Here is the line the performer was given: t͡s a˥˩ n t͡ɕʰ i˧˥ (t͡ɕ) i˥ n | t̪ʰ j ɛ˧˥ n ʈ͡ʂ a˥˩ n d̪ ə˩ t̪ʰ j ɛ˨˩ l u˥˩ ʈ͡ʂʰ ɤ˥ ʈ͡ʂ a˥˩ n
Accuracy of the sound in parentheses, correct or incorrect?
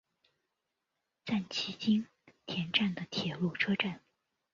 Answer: correct